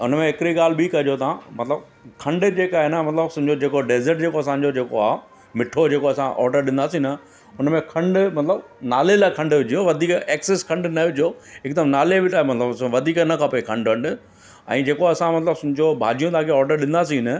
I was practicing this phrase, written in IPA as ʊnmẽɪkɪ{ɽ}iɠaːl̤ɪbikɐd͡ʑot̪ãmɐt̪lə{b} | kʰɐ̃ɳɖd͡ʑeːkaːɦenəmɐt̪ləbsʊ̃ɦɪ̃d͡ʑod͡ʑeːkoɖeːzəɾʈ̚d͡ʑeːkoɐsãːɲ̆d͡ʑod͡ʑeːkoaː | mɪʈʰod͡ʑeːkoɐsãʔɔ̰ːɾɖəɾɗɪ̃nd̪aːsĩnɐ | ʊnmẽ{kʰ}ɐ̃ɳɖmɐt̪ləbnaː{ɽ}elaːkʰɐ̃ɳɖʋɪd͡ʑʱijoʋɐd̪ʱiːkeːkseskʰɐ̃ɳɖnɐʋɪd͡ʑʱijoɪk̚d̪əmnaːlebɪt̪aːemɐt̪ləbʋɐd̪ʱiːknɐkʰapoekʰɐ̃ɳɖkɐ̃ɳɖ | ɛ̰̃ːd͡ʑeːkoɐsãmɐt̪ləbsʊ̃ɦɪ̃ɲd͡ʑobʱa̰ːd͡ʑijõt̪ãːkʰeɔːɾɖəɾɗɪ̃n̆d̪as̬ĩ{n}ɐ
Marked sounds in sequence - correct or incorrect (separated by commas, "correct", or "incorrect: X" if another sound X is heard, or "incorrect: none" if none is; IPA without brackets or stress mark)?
incorrect: ɾ, correct, correct, incorrect: l, correct